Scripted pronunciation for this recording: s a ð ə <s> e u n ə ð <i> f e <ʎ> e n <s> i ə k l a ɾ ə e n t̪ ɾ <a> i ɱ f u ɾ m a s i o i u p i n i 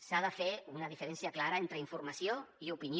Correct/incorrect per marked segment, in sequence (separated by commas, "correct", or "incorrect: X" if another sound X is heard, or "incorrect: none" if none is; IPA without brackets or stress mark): incorrect: f, correct, incorrect: ɾ, correct, incorrect: ə